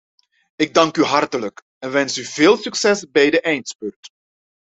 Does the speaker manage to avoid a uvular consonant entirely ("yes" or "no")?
yes